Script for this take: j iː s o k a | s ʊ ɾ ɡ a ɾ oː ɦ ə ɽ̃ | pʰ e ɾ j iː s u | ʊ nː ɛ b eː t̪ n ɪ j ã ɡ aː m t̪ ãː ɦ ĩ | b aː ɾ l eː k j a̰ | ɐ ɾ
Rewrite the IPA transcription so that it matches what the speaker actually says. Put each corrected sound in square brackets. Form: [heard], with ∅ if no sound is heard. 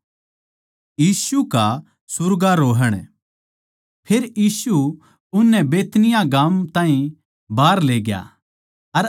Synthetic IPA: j iː s [u] k a | s ʊ ɾ ɡ a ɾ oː ɦ ə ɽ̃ | pʰ e ɾ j iː s u | ʊ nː ɛ b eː t̪ n ɪ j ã ɡ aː m t̪ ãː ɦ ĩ | b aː ɾ l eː [ɡ] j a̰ | ɐ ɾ